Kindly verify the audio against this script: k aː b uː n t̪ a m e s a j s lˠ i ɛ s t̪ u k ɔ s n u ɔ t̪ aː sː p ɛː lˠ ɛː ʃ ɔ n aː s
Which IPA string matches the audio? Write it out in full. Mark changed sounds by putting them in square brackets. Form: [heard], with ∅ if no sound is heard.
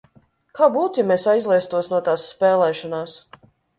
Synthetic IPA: k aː b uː [∅] t̪ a m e s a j [z] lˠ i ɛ s t̪ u [∅] ɔ s n u ɔ t̪ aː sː p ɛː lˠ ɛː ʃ ɔ n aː s